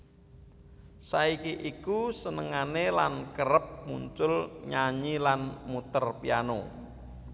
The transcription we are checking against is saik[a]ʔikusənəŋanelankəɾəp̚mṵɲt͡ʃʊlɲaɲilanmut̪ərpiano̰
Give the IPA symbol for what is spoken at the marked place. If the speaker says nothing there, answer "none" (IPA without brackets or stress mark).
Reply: i